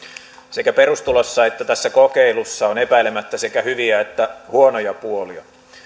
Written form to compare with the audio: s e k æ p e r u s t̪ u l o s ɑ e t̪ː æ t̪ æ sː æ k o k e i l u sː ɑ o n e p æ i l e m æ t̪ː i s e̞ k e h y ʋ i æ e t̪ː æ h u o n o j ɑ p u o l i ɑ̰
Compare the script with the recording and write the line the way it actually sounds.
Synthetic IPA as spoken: s e k æ p e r u s t̪ u l o sː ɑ e t̪ː æ t̪ æ sː æ k o k e i l u sː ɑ o n e p æ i l e m æ t̪ː æ s e̞ k æ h y ʋ i æ e t̪ː æ h u o n o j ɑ p u o l i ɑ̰